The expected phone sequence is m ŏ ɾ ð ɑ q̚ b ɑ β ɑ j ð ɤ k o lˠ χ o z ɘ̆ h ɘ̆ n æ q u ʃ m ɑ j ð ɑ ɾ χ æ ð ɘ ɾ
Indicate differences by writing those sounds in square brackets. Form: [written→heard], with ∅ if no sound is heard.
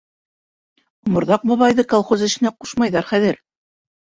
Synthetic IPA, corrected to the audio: m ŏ ɾ ð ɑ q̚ b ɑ β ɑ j ð ɤ k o lˠ χ o z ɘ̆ [h→ʃ] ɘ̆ n æ q u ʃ m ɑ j ð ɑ ɾ χ æ ð ɘ ɾ